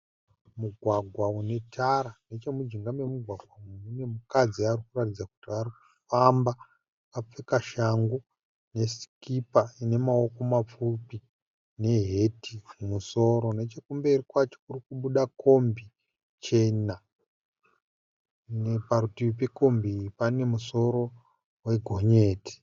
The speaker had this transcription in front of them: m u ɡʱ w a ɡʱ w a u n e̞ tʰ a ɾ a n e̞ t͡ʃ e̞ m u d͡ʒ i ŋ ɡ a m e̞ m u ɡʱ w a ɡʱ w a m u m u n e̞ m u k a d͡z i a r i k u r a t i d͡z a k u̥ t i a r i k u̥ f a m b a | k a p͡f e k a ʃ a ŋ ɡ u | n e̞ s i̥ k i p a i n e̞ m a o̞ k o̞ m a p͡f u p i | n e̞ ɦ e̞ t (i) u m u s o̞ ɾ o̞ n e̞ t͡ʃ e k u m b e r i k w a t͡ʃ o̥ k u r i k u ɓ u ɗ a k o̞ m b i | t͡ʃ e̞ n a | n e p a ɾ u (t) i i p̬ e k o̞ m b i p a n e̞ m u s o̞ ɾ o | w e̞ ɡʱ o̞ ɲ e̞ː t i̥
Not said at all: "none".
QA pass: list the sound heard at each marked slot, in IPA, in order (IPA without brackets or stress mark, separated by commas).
i, t